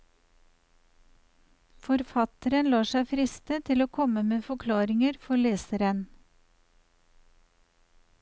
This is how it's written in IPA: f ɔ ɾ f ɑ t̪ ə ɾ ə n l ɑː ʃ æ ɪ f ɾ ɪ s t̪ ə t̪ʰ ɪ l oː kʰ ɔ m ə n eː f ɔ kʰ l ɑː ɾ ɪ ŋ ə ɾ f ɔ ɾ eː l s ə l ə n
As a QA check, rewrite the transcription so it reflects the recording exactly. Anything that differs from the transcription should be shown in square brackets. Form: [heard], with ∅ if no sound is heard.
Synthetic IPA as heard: f ɔ ɾ f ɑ t̪ ə ɾ ə n l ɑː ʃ æ ɪ f ɾ ɪ s t̪ ə t̪ʰ ɪ l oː kʰ ɔ m ə [m] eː f ɔ kʰ l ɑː ɾ ɪ ŋ ə ɾ f ɔ [ɭ] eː [∅] s ə [ɾ] ə n